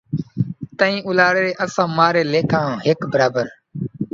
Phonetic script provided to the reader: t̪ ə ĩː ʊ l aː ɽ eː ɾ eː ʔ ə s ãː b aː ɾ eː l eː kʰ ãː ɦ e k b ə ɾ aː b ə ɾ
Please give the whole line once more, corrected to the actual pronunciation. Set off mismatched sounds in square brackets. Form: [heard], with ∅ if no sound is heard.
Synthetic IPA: t̪ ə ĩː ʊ l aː ɽ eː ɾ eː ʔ ə s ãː [m] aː ɾ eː l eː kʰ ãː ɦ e k b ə ɾ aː b ə ɾ